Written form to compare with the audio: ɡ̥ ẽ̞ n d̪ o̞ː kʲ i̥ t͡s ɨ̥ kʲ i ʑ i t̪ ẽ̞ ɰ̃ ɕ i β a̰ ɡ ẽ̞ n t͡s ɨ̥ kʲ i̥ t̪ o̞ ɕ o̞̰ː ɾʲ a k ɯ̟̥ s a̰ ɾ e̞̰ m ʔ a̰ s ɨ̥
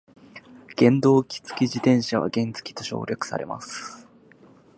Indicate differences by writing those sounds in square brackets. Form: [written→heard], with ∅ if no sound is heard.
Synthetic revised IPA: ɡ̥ ẽ̞ n d̪ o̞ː kʲ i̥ t͡s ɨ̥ kʲ i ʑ i t̪ ẽ̞ ɰ̃ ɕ [i→a] β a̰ ɡ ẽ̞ n t͡s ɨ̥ kʲ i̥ t̪ o̞ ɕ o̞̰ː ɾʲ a k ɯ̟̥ s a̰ ɾ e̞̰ m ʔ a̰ s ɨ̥